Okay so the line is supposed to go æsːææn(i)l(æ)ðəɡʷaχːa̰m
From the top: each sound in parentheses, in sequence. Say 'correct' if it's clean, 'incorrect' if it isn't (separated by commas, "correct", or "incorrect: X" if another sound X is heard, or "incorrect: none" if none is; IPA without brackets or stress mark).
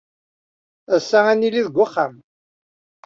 correct, incorrect: i